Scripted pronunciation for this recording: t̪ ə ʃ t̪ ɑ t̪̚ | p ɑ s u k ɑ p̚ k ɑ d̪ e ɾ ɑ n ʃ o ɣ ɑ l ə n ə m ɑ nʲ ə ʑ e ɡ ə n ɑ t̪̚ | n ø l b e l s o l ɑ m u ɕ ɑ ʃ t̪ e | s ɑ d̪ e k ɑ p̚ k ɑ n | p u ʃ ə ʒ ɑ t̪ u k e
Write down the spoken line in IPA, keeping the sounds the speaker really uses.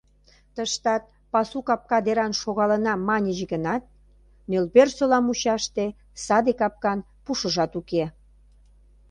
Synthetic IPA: t̪ ə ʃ t̪ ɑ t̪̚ | p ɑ s u k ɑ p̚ k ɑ d̪ e ɾ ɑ n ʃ o ɣ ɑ l ə n ɑ m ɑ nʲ ə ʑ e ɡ ə n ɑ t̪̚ | n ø l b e r s o l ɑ m u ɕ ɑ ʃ t̪ e | s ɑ d̪ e k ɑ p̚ k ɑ n | p u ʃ ə ʒ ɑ t̪ u k e